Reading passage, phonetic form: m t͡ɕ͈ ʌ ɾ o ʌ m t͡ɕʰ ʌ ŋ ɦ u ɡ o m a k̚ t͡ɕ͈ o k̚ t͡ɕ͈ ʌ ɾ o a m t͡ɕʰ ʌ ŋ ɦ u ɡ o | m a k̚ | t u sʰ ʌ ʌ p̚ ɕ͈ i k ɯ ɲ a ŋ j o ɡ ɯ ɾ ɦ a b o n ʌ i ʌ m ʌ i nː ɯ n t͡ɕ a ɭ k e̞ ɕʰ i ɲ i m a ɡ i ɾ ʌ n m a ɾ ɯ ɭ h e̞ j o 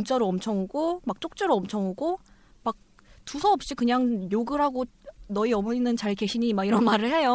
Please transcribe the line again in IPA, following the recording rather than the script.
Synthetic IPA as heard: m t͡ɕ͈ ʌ ɾ o ʌ m t͡ɕʰ ʌ ŋ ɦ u ɡ o m a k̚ t͡ɕ͈ o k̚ t͡ɕ͈ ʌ ɾ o ʌ m t͡ɕʰ ʌ ŋ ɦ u ɡ o | m a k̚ | t u sʰ ʌ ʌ p̚ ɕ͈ i k ɯ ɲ a ŋ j o ɡ ɯ ɾ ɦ a ɡ o n ʌ i ʌ m ʌ i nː ɯ n t͡ɕ a ɭ k e̞ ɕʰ i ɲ i m a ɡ i ɾ ʌ n m a ɾ ɯ ɭ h e̞ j o